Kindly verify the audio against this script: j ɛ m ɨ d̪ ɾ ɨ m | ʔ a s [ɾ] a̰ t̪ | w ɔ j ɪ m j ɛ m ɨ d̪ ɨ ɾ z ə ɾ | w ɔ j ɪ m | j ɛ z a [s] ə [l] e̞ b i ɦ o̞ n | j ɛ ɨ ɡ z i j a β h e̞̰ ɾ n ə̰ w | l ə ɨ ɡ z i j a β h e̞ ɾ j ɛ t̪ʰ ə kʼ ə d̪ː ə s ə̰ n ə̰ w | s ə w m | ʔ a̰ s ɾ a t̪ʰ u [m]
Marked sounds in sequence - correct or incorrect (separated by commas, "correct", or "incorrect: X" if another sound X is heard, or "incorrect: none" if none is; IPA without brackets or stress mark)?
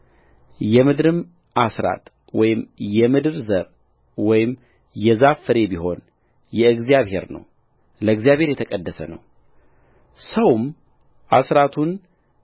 correct, incorrect: f, incorrect: ɾ, incorrect: n